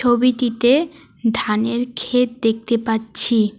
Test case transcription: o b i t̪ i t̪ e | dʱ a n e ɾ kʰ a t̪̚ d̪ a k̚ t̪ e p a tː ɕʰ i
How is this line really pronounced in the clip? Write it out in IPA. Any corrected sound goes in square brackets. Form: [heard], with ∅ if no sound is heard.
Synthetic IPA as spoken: o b i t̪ i t̪ e | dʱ a n e ɾ kʰ [e] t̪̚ d̪ [e] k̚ t̪ e p a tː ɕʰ i